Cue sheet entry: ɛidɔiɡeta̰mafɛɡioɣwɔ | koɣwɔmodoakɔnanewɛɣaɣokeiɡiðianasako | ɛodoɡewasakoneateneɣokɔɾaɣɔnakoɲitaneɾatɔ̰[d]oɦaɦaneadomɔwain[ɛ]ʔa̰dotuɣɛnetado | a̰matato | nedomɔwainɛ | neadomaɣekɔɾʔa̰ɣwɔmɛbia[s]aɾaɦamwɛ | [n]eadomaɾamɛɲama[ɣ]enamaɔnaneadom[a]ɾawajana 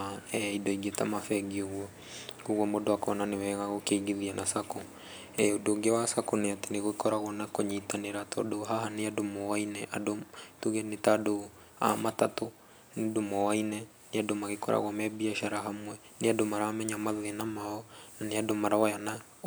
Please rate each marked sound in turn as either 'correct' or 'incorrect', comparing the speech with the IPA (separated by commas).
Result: correct, correct, incorrect, correct, incorrect, correct